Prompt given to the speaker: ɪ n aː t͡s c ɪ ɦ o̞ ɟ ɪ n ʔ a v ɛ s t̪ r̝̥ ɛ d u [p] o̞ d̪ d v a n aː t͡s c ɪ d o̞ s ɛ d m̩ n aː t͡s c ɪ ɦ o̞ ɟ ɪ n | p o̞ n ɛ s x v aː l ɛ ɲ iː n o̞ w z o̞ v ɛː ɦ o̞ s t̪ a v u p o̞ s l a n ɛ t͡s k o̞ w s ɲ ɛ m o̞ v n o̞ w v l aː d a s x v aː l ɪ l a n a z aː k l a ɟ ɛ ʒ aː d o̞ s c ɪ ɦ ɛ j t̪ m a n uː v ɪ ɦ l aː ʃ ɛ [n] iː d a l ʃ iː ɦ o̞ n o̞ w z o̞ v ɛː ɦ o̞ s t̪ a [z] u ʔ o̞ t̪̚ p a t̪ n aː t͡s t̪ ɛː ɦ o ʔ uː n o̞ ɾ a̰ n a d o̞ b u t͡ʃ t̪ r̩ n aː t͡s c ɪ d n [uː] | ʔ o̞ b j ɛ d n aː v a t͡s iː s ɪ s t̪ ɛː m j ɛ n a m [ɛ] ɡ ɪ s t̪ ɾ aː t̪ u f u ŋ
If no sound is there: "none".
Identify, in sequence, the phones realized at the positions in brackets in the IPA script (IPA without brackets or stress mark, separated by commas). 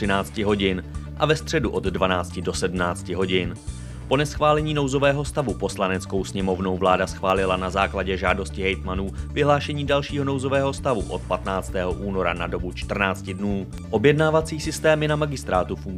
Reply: ʔ, ɲ, v, uː, a